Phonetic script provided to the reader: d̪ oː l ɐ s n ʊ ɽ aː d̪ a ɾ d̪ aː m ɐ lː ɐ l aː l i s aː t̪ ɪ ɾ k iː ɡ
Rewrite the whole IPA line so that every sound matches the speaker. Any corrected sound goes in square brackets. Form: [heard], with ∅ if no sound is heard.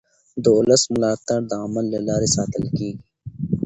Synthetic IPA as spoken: d̪ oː l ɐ s [m] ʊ [l] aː [t̪] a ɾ d̪ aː m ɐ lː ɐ l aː [ɾ] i s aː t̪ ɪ [l] k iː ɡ